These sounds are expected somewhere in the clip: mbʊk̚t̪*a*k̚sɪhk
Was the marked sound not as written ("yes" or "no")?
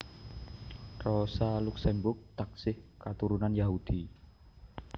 no